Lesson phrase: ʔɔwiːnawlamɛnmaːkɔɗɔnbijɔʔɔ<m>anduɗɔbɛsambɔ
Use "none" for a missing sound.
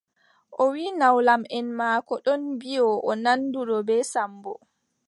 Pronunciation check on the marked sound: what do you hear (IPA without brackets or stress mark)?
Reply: n